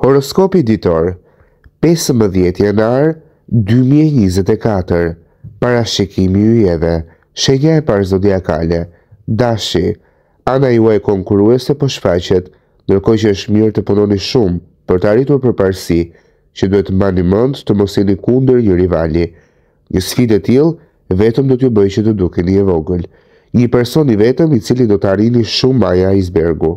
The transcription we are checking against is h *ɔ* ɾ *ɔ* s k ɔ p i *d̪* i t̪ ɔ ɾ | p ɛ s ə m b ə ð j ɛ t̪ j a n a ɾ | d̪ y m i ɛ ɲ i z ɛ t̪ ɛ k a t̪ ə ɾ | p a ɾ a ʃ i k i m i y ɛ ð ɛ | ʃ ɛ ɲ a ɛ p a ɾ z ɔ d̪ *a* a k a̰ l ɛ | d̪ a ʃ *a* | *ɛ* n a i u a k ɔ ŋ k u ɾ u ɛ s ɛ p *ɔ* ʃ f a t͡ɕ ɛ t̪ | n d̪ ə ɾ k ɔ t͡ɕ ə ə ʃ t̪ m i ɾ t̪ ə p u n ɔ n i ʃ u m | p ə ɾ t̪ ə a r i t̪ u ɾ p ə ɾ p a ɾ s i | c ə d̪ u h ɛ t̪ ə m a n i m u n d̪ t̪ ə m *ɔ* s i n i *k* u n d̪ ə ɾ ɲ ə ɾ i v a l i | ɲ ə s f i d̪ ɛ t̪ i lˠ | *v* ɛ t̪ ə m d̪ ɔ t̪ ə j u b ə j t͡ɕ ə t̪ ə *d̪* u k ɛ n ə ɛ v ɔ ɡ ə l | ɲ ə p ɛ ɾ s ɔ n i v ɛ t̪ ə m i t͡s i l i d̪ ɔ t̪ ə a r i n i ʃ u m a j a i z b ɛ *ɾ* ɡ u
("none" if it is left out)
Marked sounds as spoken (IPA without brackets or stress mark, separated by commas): ɔ, ɔ, d̪, i, i, a, ɔ, ɔ, k, v, d̪, ɾ